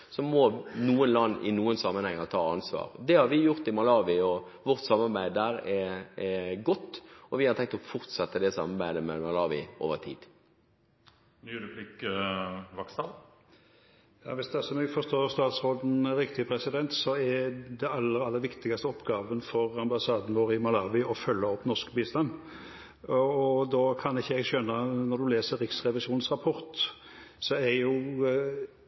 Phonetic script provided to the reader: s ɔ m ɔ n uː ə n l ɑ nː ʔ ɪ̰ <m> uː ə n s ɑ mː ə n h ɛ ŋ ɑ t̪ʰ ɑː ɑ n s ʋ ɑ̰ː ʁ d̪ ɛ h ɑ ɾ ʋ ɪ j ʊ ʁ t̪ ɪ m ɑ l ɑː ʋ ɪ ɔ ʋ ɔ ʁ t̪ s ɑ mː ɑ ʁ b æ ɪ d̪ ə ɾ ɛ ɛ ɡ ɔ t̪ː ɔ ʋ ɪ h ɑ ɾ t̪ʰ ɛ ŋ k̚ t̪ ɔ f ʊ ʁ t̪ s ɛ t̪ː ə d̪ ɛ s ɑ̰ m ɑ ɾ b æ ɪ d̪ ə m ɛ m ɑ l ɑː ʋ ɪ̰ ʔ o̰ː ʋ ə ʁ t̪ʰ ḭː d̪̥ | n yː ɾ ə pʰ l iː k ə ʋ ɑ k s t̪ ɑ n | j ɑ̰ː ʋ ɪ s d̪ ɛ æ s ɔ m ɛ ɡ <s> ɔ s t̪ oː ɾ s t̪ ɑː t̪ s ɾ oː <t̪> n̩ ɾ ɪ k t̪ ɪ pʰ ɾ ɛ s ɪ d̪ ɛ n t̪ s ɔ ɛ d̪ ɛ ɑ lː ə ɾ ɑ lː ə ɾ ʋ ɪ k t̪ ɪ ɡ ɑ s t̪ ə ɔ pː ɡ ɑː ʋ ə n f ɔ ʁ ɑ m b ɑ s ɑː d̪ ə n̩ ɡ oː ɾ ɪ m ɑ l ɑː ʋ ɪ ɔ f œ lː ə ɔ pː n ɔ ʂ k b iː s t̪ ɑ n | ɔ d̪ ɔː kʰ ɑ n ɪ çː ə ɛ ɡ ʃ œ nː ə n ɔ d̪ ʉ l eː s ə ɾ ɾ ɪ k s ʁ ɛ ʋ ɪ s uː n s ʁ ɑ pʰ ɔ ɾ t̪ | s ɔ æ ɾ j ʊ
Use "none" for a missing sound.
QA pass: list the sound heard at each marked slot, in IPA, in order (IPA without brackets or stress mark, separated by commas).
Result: n, f, d̪